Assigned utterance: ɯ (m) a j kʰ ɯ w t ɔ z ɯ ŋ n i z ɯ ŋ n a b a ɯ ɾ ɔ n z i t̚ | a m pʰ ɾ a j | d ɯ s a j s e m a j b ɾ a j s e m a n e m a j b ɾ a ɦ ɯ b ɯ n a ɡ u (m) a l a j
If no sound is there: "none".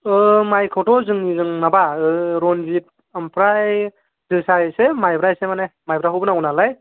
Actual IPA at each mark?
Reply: m, n

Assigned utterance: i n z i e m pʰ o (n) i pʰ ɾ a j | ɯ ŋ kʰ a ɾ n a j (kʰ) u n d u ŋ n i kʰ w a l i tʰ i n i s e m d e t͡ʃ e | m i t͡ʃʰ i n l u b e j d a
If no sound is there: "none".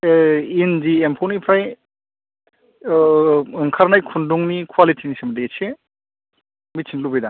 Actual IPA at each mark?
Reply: n, kʰ

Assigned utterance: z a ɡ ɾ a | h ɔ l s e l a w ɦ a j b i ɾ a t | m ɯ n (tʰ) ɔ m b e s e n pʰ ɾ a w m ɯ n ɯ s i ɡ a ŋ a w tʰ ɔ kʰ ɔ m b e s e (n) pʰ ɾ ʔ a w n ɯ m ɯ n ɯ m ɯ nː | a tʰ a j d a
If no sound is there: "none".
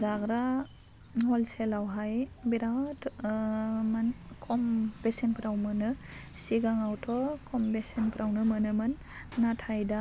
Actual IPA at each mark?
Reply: kʰ, n

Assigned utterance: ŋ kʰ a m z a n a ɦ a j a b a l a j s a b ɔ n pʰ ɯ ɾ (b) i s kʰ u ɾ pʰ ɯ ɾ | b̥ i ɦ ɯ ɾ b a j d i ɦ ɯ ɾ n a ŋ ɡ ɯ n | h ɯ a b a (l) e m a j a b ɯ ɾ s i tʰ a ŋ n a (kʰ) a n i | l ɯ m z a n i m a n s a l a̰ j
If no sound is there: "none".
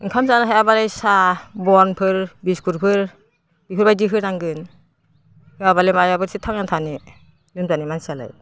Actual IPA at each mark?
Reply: b, l, tʰ

